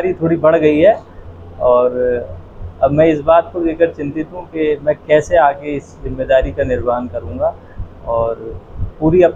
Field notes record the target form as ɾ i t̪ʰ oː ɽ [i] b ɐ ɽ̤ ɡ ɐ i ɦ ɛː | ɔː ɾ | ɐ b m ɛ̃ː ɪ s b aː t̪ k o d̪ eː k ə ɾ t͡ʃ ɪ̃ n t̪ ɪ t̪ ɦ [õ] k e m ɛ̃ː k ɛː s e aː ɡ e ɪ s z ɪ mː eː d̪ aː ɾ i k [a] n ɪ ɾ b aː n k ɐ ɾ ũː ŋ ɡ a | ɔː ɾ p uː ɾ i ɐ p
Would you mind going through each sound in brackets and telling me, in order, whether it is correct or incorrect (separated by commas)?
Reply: correct, incorrect, correct